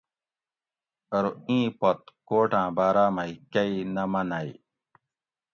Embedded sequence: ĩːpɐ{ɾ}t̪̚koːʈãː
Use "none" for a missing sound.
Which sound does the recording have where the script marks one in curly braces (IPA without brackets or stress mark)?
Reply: none